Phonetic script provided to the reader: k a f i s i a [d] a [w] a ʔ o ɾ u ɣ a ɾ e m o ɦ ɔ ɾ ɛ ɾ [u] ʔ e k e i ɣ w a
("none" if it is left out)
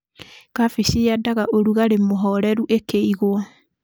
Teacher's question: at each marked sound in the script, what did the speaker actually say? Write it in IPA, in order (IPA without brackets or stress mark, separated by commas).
d, ɣ, u